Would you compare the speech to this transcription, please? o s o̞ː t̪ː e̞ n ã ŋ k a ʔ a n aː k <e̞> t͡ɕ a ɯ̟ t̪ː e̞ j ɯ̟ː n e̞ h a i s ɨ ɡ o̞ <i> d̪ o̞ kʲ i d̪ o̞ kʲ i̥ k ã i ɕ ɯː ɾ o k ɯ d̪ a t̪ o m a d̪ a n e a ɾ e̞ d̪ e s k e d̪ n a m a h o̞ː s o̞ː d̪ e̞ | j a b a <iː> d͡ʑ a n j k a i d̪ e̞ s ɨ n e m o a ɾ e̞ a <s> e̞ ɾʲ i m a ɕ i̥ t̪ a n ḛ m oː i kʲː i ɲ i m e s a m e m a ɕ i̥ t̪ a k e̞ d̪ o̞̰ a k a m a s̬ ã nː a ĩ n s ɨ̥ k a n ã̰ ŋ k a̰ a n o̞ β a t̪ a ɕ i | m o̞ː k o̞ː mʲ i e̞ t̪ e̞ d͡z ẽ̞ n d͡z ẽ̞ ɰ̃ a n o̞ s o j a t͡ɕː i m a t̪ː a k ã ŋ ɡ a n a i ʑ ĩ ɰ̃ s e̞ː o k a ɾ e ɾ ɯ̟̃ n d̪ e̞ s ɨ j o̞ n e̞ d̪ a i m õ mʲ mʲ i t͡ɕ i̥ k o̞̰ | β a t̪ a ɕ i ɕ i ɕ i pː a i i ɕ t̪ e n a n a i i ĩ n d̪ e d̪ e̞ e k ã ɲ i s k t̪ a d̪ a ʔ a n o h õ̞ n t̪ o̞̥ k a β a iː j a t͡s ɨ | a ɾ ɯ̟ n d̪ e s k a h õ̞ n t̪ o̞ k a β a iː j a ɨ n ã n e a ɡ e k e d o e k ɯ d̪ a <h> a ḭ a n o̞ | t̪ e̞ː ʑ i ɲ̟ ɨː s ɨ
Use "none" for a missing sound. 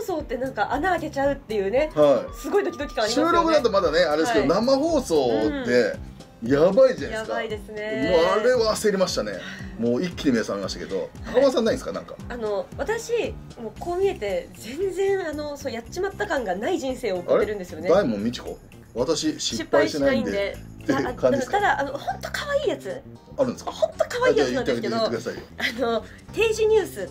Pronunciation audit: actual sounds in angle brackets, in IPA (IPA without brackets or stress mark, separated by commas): e̞, i, i, s, s